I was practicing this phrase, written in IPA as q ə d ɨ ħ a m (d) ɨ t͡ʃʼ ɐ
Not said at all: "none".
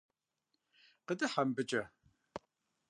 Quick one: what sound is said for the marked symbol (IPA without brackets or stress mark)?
b